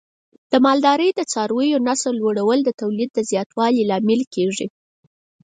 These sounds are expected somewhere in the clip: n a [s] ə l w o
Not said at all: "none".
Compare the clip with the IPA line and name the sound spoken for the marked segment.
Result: s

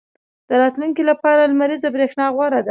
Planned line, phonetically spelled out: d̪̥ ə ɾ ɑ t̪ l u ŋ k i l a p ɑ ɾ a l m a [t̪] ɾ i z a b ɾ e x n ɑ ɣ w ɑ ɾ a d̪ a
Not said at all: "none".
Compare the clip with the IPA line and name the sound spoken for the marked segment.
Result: none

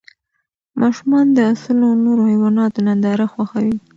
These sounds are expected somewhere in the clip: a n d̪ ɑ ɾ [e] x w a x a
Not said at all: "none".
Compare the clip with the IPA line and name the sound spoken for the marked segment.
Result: a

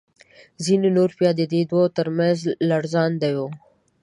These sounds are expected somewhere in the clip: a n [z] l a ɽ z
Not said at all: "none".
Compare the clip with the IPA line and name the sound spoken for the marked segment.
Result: z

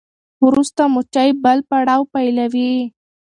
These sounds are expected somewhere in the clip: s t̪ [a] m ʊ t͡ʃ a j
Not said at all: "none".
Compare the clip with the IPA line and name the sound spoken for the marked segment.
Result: a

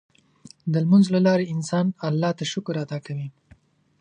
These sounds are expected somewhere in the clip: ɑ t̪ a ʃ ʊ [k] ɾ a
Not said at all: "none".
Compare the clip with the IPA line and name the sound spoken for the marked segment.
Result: k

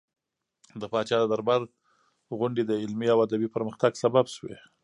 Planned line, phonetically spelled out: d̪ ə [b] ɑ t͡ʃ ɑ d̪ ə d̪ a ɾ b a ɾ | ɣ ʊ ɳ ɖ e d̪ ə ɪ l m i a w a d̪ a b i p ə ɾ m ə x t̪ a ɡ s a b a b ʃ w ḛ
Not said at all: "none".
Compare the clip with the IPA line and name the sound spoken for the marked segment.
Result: p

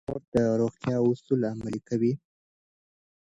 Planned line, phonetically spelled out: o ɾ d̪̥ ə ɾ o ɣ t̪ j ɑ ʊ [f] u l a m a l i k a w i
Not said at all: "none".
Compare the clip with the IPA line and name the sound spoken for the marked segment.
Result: s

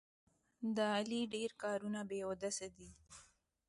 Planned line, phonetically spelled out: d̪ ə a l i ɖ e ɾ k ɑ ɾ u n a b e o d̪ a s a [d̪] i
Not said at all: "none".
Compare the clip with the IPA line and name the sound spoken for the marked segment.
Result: d̪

